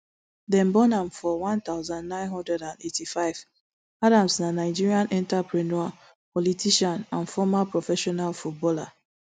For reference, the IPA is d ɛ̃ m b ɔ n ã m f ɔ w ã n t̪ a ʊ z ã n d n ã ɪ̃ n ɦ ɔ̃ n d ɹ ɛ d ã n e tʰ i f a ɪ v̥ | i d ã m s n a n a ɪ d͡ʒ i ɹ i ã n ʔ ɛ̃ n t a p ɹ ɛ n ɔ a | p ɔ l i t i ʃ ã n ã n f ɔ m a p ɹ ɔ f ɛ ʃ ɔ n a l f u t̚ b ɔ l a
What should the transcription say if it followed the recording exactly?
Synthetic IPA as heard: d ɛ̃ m b ɔ n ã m f ɔ w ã n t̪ a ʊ z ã n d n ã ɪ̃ n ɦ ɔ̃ n d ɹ ɛ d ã n e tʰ i f a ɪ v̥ | a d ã m s n a n a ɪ d͡ʒ i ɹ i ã n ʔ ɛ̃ n t a p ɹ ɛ n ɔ a | p ɔ l i t i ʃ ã n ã n f ɔ m a p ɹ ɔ f ɛ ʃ ɔ n a l f u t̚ b ɔ l a